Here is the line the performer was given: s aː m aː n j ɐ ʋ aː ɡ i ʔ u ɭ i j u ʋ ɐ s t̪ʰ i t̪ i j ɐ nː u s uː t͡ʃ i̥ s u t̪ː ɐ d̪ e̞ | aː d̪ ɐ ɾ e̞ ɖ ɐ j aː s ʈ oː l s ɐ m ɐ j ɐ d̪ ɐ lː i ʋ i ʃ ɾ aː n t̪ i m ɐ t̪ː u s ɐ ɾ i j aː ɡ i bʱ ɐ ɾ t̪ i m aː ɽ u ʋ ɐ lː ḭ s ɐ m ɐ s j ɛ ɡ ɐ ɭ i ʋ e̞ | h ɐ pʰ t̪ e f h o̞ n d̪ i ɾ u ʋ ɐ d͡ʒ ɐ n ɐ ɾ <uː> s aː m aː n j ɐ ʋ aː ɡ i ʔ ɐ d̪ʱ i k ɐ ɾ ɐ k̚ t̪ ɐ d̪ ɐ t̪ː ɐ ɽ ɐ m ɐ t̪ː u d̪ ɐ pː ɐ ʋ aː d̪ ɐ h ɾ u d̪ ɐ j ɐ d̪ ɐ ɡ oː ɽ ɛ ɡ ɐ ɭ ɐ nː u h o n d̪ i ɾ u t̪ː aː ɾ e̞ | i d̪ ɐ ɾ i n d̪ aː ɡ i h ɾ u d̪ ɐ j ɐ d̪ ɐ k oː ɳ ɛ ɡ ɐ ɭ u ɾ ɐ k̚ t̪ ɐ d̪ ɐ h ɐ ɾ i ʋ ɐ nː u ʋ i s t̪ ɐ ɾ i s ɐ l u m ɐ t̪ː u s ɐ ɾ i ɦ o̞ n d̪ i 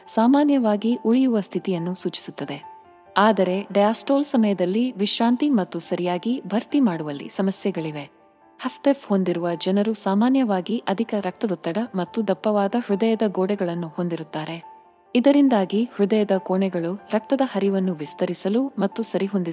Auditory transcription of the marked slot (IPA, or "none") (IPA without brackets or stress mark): u